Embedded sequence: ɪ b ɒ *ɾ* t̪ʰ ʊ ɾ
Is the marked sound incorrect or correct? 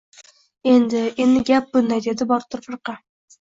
correct